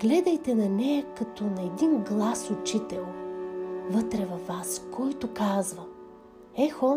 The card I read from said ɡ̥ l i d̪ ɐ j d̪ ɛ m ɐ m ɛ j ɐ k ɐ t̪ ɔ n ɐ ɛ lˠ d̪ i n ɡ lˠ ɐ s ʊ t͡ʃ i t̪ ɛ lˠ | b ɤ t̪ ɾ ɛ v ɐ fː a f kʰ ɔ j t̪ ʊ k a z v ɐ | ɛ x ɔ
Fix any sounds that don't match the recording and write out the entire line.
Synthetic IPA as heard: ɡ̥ l ɛ d̪ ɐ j t̪ ɛ n ɐ n ɛ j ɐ k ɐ t̪ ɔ n ɐ ɛ d̪ i n ɡ lˠ a s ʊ t͡ʃ i t̪ ɛ lˠ | v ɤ t̪ ɾ ɛ v ɐ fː a s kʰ ɔ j t̪ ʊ k a z v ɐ | ɛ x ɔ